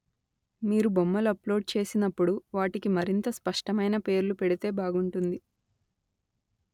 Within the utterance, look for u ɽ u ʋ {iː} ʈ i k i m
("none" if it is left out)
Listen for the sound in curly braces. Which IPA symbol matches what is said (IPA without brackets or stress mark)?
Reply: aː